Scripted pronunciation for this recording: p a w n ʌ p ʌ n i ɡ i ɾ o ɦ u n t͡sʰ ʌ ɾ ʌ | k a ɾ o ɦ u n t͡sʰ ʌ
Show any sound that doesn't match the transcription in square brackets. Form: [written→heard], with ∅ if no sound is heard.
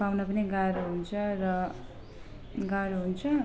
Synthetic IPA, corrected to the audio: p a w n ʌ p ʌ n i ɡ [i→a] ɾ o ɦ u n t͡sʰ ʌ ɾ ʌ | [k→ɡ] a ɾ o ɦ u n t͡sʰ ʌ